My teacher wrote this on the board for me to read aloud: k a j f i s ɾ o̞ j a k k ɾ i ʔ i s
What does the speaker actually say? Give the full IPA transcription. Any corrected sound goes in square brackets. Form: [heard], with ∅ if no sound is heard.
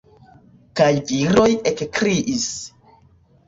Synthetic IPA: k a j [v] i [∅] ɾ o̞ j [e] k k ɾ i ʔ i s

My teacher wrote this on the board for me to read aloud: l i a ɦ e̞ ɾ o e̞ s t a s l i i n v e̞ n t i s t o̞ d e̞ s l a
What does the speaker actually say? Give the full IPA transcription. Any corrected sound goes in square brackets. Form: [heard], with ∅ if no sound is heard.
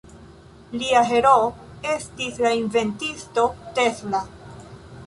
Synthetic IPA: l i a ɦ e̞ ɾ o e̞ s t [i] s l [a] i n v e̞ n t i s t o̞ [t] e̞ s l a

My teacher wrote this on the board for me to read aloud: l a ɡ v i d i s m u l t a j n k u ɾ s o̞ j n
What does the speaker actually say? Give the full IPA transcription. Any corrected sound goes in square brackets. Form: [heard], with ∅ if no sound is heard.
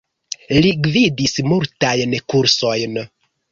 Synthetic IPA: l [i] ɡ v i d i s m u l t a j n k u ɾ s o̞ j n

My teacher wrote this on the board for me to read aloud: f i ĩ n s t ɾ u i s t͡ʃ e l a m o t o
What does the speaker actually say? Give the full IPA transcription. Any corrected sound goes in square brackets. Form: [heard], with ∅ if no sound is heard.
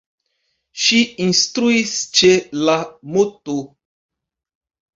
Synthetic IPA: [ʃ] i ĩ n s t ɾ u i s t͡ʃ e l a m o t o

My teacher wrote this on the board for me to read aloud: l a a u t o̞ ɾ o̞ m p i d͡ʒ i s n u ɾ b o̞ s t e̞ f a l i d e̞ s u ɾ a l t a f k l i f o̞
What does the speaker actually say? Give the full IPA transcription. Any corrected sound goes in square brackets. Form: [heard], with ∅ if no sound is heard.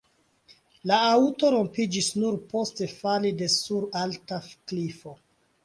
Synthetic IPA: l a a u t o̞ ɾ o̞ m p i d͡ʒ i s n u ɾ [p] o̞ s t e̞ f a l i d e̞ s u ɾ a l t a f k l i f o̞

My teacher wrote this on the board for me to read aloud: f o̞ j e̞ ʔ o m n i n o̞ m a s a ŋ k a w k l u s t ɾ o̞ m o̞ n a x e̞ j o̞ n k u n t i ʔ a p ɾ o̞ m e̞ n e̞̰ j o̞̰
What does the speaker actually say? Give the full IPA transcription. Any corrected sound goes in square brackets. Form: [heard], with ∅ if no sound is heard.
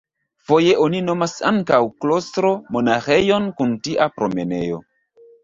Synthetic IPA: f o̞ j e̞ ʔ o [∅] n i n o̞ m a s a ŋ k a w k l [o] s t ɾ o̞ m o̞ n a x e̞ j o̞ n k u n t i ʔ a p ɾ o̞ m e̞ n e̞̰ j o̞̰

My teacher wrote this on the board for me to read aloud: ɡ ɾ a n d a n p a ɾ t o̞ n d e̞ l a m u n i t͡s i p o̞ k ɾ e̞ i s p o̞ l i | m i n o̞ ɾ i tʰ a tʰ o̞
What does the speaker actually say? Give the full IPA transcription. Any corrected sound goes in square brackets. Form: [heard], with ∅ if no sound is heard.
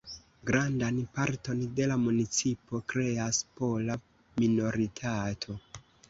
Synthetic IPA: ɡ ɾ a n d a n p a ɾ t o̞ n d e̞ l a m u n i t͡s i p o̞ k ɾ e̞ [a] s p o̞ l [a] | m i n o̞ ɾ i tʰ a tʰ o̞

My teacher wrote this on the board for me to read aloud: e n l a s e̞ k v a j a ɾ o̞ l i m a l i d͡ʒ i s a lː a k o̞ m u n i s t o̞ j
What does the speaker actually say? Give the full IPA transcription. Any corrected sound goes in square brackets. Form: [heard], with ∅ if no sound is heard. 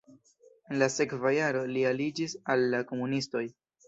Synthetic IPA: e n l a s e̞ k v a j a ɾ o̞ l i [∅] a l i d͡ʒ i s a lː a k o̞ m u n i s t o̞ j

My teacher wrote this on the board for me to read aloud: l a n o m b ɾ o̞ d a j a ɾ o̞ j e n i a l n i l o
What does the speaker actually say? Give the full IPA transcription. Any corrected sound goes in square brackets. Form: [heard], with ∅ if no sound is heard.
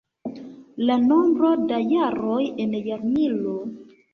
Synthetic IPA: l a n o m b ɾ o̞ d a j a ɾ o̞ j e n [j] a [ɾ] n i l o

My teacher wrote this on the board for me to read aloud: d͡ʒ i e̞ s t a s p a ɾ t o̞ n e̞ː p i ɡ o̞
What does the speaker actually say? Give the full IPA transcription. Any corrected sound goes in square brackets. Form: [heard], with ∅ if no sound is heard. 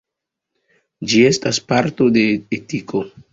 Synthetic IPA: d͡ʒ i e̞ s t a s p a ɾ t o̞ [d] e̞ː [t] i [k] o̞

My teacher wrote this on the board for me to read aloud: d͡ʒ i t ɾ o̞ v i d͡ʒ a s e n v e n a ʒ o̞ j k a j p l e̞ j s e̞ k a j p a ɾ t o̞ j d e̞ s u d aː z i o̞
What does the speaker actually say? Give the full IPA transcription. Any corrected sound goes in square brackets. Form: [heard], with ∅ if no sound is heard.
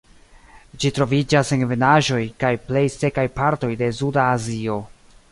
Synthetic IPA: d͡ʒ i t ɾ o̞ v i d͡ʒ a s e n v e n a ʒ o̞ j k a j p l e̞ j s e̞ k a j p a ɾ t o̞ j d e̞ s u d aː z i o̞

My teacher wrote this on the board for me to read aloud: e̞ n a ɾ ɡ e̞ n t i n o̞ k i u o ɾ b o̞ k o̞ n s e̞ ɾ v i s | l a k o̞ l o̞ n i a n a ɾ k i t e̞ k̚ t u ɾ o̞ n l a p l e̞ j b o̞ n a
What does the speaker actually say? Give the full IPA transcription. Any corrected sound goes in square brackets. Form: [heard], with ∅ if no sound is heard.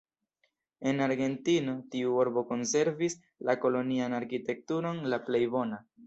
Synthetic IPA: e̞ n a ɾ ɡ e̞ n t i n o̞ [t] i u o ɾ b o̞ k o̞ n s e̞ ɾ v i s | l a k o̞ l o̞ n i a n a ɾ k i t e̞ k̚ t u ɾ o̞ n l a p l e̞ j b o̞ n a

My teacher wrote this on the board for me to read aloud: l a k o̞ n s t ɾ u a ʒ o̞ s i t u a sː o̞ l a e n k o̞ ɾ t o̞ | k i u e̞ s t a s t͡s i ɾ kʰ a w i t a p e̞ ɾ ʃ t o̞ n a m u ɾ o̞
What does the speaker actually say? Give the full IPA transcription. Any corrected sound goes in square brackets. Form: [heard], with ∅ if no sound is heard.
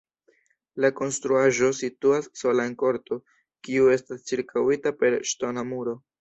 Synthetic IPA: l a k o̞ n s t ɾ u a ʒ o̞ s i t u a sː o̞ l a e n k o̞ ɾ t o̞ | k i u e̞ s t a s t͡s i ɾ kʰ a w i t a p e̞ ɾ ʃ t o̞ n a m u ɾ o̞

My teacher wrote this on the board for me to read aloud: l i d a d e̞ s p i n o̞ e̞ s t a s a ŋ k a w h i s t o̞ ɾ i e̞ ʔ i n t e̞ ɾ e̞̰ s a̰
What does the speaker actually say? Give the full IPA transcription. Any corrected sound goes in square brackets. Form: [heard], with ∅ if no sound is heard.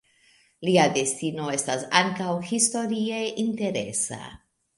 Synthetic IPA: l i [∅] a d e̞ s [t] i n o̞ e̞ s t a s a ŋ k a w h i s t o̞ ɾ i e̞ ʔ i n t e̞ ɾ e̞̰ s a̰

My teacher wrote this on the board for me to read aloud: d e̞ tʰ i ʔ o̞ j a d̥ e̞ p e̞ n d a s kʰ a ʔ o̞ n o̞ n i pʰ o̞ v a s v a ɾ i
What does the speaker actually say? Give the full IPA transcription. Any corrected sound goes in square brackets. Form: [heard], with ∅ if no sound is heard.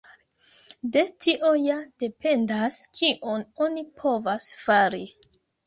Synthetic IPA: d e̞ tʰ i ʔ o̞ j a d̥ e̞ p e̞ n d a s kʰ [i] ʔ o̞ n o̞ n i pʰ o̞ v a s [f] a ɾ i

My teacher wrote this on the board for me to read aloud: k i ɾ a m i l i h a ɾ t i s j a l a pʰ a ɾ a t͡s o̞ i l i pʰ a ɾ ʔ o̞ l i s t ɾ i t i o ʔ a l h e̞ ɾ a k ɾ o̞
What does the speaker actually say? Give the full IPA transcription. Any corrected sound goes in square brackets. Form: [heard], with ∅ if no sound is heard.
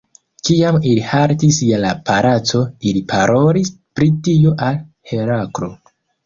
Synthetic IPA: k i [∅] a m i l i h a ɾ t i s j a l a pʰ a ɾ a t͡s o̞ i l i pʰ a ɾ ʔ o̞ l i s [p] ɾ i t i o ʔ a l h e̞ ɾ a k ɾ o̞

